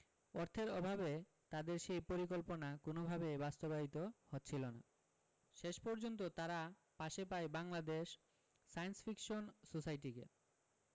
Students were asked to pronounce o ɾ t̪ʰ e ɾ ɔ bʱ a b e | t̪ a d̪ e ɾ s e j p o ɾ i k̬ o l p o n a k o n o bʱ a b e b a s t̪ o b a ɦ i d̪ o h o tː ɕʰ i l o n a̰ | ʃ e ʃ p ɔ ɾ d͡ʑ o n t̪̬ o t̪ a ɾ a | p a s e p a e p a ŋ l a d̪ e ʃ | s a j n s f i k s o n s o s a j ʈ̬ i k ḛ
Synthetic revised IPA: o ɾ t̪ʰ e ɾ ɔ bʱ a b e | t̪ a d̪ e ɾ ʃ e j p o ɾ i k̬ o l p o n a k o n o bʱ a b e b a s t̪ o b a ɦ i t̪ o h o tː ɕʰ i l o n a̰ | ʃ e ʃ p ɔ ɾ d͡ʑ o n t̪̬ o t̪ a ɾ a | p a ʃ e p a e b a ŋ l a d̪ e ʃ | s a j n s f i k ʃ o n s o s a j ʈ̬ i k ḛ